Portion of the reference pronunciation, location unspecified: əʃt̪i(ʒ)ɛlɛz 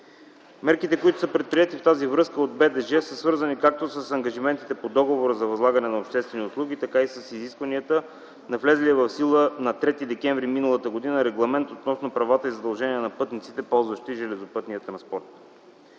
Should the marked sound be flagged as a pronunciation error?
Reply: no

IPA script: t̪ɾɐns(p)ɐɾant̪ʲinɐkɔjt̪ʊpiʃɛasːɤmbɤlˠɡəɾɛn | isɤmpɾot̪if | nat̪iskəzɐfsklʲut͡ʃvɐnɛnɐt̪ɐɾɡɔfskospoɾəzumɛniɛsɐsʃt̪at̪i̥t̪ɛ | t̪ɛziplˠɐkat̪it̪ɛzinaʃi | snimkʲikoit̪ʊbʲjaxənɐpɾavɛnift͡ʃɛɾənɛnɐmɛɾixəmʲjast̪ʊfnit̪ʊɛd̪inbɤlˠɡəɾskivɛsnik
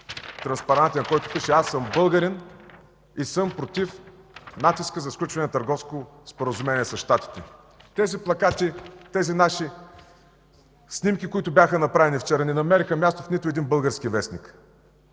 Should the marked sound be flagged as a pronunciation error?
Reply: no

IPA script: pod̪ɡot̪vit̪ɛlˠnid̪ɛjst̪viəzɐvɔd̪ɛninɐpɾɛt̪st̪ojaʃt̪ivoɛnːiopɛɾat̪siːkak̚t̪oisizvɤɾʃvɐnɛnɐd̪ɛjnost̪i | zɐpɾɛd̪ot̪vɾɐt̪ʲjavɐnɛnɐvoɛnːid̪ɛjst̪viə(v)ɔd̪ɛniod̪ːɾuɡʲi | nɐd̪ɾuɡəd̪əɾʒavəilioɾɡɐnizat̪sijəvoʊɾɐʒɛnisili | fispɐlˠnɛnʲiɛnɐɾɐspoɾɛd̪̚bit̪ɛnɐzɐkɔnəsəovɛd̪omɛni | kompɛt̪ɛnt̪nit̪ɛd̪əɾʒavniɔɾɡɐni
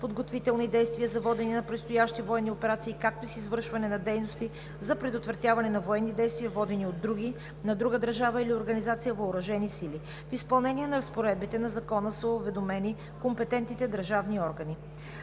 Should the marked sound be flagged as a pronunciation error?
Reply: no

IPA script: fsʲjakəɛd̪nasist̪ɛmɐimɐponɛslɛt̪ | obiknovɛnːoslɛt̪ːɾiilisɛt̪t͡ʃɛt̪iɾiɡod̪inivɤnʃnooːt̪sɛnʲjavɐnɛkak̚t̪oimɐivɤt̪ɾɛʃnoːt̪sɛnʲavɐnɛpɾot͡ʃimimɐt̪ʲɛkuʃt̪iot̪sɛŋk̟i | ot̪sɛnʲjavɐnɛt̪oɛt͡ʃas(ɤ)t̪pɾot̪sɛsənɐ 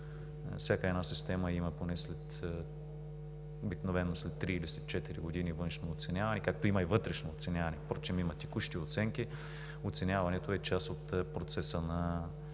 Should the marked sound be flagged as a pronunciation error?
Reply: yes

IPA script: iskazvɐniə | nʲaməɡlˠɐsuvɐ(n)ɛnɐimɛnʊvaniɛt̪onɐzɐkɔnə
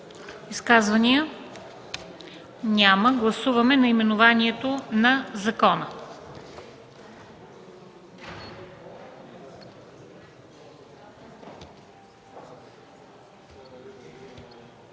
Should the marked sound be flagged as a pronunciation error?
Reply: yes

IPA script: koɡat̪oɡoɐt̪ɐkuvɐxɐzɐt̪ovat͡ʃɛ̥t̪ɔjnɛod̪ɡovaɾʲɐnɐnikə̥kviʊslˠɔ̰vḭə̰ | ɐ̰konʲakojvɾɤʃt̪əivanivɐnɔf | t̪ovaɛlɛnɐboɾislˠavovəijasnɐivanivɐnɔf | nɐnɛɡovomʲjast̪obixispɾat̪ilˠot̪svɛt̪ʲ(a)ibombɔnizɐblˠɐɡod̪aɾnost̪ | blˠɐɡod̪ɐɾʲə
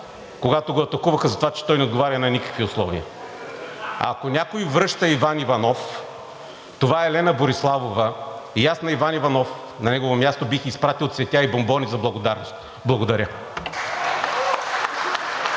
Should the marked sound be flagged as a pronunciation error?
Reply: no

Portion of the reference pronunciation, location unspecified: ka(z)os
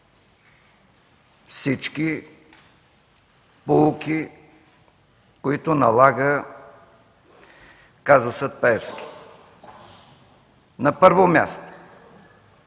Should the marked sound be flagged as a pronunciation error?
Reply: no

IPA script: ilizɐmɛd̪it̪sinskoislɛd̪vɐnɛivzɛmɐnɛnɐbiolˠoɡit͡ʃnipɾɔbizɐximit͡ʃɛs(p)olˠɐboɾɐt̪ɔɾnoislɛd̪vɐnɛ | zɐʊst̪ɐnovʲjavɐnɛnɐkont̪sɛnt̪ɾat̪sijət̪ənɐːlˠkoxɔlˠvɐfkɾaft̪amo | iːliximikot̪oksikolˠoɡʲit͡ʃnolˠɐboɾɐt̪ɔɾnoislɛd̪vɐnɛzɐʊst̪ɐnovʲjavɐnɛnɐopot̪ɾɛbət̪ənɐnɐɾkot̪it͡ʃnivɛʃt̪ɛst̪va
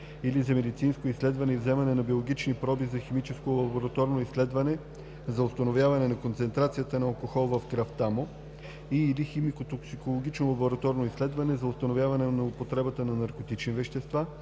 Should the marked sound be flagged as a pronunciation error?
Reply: yes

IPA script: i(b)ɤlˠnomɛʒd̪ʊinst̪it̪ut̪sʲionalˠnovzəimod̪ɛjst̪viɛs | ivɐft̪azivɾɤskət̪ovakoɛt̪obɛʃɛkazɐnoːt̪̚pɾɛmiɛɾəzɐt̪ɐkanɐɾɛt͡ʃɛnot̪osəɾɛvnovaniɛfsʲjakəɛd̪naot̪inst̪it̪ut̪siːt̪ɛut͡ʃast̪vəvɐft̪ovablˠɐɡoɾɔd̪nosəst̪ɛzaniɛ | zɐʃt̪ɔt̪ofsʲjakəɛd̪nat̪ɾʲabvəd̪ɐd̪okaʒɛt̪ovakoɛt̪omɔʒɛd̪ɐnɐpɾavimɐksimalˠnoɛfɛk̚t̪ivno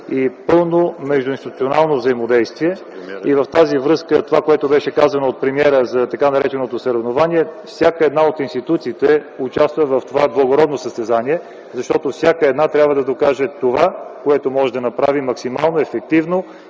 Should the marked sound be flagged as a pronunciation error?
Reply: yes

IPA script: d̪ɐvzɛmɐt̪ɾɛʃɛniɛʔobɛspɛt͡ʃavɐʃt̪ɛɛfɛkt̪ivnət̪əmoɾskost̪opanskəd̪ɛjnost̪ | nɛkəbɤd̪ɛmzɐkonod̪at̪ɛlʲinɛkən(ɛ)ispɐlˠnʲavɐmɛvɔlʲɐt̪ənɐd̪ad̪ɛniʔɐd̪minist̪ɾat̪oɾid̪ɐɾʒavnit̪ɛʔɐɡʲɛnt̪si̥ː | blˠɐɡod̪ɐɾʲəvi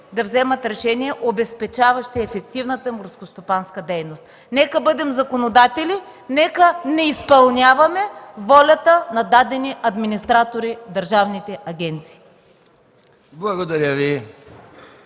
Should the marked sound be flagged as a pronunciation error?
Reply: no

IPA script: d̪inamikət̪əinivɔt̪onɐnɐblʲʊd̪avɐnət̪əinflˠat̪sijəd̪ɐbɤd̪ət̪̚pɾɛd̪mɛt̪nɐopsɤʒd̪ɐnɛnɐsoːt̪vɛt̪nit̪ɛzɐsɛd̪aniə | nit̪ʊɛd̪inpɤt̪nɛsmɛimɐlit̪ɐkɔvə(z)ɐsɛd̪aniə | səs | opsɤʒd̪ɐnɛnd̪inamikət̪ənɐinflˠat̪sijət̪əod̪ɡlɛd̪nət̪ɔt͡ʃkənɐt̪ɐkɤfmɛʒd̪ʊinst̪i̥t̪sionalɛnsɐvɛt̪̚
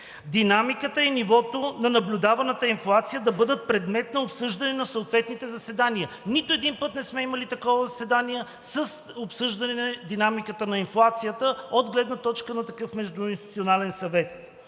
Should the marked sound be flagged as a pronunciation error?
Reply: no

